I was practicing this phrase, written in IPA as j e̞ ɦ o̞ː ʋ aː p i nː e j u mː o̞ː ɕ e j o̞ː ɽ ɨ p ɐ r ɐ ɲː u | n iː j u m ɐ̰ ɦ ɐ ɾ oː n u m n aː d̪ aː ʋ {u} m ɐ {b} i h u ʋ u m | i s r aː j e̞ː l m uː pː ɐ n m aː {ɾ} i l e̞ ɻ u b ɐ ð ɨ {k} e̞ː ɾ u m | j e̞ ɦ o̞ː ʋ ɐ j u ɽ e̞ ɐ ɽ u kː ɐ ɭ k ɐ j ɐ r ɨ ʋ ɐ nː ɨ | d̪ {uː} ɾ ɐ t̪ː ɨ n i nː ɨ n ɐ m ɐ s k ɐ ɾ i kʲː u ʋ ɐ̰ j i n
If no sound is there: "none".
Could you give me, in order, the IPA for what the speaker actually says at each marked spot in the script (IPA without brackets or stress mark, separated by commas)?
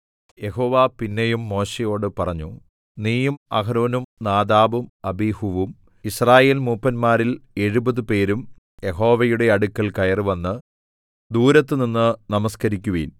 u, b, ɾ, p, uː